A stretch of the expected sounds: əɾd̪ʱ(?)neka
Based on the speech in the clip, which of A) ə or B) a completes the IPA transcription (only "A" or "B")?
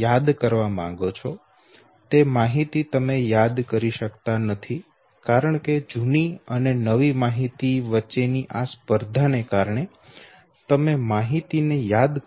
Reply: B